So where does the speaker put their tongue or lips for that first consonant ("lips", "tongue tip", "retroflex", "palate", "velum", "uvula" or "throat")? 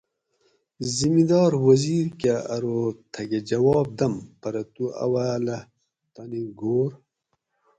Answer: tongue tip